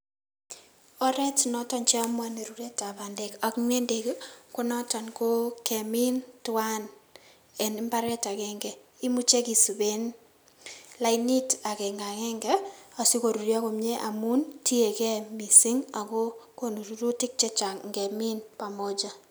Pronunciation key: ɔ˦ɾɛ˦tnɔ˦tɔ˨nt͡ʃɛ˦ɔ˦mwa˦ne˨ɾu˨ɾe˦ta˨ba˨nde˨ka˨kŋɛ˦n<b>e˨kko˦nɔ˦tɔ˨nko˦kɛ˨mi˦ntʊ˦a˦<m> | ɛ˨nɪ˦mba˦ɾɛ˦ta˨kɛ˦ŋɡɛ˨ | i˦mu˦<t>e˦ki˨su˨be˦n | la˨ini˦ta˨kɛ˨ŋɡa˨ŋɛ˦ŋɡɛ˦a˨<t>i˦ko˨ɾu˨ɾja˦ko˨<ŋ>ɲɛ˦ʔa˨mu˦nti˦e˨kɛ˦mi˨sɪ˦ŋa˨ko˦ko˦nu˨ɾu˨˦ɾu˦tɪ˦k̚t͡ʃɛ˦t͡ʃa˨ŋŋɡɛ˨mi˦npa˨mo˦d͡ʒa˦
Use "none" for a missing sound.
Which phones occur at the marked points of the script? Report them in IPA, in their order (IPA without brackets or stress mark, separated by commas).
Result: d, n, t͡ʃ, s, m